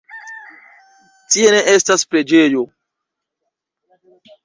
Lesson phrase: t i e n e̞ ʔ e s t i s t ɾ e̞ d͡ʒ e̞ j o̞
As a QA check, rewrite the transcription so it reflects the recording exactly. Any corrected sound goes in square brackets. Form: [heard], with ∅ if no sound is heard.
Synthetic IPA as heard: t i e n e̞ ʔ e s t [a] s [p] ɾ e̞ d͡ʒ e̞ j o̞